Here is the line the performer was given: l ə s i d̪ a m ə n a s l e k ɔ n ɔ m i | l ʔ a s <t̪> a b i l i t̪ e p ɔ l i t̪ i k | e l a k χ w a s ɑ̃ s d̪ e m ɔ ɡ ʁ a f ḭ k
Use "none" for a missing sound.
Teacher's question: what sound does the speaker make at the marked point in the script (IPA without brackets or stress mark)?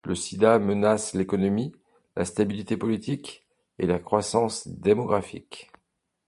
t̪